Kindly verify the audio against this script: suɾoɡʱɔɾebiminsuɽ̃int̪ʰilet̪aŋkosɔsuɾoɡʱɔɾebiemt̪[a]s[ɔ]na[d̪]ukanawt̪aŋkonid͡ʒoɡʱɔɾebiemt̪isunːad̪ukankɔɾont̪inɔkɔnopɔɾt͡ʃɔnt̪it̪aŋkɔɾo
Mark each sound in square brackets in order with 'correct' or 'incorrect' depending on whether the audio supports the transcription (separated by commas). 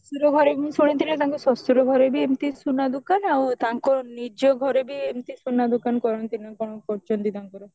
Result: incorrect, incorrect, correct